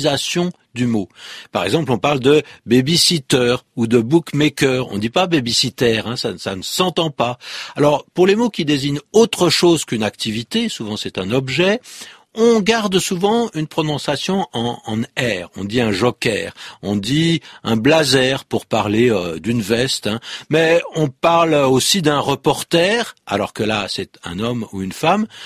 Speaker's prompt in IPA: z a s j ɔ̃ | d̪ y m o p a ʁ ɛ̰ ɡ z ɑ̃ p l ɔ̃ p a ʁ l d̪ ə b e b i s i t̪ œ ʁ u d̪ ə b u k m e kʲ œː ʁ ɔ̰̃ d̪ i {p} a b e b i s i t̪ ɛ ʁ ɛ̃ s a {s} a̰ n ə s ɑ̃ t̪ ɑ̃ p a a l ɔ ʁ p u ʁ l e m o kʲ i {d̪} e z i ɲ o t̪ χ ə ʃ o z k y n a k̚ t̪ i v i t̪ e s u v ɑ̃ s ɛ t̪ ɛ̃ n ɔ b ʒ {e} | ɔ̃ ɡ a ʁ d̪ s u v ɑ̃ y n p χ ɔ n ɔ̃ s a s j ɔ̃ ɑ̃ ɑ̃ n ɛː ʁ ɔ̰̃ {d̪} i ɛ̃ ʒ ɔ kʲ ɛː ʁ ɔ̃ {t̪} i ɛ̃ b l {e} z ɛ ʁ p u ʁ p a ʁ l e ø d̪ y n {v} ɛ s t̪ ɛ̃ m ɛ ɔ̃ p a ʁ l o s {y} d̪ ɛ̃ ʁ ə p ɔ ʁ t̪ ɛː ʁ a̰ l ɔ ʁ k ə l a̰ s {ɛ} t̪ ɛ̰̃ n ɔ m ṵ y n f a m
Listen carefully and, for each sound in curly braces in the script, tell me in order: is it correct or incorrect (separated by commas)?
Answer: correct, correct, correct, incorrect, correct, incorrect, incorrect, correct, incorrect, correct